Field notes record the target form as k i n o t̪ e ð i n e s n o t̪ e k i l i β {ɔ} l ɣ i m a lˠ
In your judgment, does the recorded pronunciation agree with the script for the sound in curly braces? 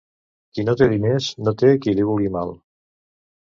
no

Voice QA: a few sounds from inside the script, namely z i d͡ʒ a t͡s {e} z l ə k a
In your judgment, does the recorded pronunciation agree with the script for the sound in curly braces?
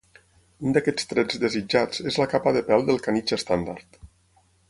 yes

